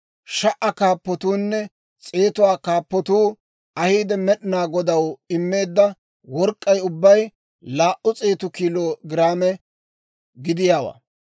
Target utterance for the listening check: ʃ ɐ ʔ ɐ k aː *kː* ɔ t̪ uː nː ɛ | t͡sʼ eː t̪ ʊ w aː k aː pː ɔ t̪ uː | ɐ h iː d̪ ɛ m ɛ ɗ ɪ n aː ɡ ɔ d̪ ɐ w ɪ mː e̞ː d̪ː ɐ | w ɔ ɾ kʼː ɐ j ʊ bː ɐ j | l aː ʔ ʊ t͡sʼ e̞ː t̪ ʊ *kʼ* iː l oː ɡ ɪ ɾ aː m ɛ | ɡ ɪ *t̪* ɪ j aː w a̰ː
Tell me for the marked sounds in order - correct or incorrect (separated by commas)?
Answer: incorrect, incorrect, incorrect